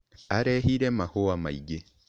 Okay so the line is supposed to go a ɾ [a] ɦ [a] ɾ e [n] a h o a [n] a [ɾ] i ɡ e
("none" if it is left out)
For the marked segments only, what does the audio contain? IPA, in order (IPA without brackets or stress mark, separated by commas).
e, i, m, m, none